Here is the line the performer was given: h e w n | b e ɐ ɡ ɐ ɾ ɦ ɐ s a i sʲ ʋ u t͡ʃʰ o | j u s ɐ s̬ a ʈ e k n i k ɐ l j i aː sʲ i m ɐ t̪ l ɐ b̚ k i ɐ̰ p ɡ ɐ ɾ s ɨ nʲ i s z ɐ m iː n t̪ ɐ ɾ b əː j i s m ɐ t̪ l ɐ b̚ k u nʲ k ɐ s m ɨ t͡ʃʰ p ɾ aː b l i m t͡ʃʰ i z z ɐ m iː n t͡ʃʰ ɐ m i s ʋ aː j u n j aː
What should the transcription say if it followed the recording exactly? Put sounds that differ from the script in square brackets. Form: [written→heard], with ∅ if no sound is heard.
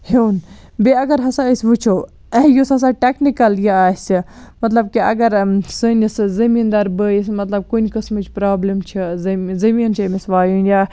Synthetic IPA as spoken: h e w n | b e ɐ ɡ ɐ ɾ ɦ ɐ s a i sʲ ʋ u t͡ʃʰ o | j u s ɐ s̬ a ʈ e k n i k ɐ l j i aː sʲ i m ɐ t̪ l ɐ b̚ k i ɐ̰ [p→∅] ɡ ɐ ɾ s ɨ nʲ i s z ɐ m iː n [t̪→d̪] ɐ ɾ b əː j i s m ɐ t̪ l ɐ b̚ k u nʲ k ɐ s m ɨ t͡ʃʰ p ɾ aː b l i m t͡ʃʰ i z z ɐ m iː n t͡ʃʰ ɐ m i s ʋ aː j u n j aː

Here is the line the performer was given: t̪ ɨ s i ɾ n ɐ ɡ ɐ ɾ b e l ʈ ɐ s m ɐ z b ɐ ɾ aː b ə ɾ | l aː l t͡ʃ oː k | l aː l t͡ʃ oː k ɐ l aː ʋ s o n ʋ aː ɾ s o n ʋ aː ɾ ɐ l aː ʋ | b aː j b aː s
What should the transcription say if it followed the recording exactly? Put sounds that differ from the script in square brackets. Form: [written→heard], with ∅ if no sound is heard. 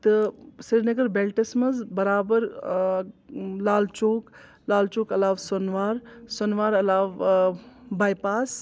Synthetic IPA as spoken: t̪ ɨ s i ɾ n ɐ ɡ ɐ ɾ b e l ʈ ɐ s m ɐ z b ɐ ɾ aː b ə ɾ | l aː l t͡ʃ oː k | l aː l t͡ʃ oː k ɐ l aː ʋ s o n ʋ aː ɾ s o n ʋ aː ɾ ɐ l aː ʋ | b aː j [b→p] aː s

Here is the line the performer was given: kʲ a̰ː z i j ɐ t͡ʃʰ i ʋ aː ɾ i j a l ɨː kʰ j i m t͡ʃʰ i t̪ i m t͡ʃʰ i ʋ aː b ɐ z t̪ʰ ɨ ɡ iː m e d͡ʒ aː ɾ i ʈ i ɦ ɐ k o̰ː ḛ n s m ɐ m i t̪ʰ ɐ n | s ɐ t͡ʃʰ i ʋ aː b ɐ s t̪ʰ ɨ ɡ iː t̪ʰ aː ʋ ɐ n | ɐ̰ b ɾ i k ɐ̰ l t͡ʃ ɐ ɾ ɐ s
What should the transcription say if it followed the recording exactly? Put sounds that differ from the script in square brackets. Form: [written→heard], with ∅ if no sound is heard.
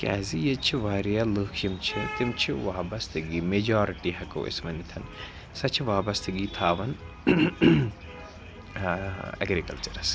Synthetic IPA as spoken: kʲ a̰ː z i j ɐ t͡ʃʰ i ʋ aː ɾ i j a l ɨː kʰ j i m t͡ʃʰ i t̪ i m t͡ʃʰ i ʋ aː b ɐ [z→s] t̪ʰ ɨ ɡ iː m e d͡ʒ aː ɾ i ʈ i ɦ ɐ k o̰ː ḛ [n→∅] s m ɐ [m→n] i t̪ʰ ɐ n | s ɐ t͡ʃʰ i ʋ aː b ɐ s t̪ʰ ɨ ɡ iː t̪ʰ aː ʋ ɐ n | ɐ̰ [b→ɡ] ɾ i k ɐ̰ l t͡ʃ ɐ ɾ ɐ s

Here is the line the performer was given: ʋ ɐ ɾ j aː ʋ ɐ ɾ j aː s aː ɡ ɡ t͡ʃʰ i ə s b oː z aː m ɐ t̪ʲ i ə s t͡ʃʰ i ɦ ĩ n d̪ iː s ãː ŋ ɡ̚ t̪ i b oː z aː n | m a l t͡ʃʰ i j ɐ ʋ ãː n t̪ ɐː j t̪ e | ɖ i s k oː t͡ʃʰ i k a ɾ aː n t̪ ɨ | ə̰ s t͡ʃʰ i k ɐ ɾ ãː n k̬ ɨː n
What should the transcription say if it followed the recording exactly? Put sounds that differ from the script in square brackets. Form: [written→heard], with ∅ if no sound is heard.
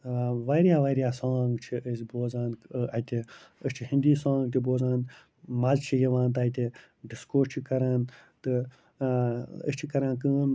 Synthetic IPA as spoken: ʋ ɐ ɾ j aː ʋ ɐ ɾ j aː s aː [ɡ→ŋ] ɡ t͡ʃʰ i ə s b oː z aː [m→n] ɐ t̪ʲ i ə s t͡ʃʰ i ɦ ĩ n d̪ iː s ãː ŋ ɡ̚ t̪ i b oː z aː n | m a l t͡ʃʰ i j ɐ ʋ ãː n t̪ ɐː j t̪ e | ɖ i s k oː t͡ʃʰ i k [a→ɐ] ɾ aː n t̪ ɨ | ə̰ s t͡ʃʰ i k ɐ ɾ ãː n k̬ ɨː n

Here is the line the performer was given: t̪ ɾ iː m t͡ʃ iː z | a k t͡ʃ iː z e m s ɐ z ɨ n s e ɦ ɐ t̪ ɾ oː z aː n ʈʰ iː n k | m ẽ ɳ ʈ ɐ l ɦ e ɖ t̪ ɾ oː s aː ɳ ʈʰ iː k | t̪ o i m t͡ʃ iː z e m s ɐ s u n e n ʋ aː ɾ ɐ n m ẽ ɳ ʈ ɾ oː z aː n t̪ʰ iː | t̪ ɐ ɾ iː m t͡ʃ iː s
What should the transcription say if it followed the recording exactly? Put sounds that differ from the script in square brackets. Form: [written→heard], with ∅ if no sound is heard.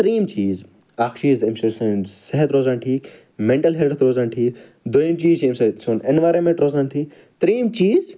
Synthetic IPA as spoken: t̪ ɾ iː m t͡ʃ iː z | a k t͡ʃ iː z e m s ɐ [z→s] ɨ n s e ɦ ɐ t̪ ɾ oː z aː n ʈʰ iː [n→∅] k | m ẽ ɳ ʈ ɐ l ɦ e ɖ t̪ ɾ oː [s→z] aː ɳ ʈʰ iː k | [t̪→d̪] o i m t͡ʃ iː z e m s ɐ s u n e n ʋ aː ɾ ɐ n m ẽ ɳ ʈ ɾ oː z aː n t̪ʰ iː | t̪ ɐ ɾ iː m t͡ʃ iː [s→z]

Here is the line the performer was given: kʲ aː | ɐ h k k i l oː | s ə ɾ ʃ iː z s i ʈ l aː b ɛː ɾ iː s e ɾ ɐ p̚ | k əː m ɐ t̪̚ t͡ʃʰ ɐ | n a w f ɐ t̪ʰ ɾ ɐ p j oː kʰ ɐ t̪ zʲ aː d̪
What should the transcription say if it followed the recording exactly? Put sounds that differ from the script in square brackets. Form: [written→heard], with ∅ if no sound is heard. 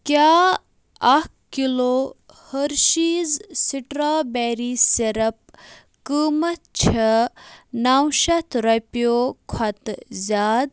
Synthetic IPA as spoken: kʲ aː | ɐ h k k i l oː | [s→h] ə ɾ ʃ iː z s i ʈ [l→ɾ] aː b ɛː ɾ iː s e ɾ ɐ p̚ | k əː m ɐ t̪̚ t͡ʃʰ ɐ | n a w [f→ʃ] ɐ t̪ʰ ɾ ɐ p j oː kʰ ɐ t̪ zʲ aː d̪

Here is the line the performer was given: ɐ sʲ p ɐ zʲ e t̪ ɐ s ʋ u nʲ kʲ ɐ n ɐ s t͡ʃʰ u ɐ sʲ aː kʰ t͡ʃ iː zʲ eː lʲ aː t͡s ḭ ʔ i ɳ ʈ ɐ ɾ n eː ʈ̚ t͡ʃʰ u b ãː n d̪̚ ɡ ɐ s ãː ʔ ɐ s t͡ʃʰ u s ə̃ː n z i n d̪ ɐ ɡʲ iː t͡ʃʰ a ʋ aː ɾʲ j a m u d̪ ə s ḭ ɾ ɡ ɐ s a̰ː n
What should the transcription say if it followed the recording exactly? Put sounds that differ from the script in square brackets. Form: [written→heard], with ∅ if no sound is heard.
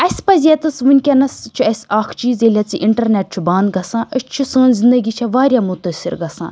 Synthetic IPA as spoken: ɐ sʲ p ɐ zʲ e t̪ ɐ s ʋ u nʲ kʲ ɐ n ɐ s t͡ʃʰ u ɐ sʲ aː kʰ t͡ʃ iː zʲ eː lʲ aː t͡s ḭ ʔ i ɳ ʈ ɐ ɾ n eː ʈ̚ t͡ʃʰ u b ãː n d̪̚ ɡ ɐ s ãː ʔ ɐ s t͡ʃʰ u s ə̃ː n z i n d̪ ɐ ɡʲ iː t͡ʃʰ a ʋ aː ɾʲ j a m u [d̪→t̪] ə s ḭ ɾ ɡ ɐ s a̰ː n

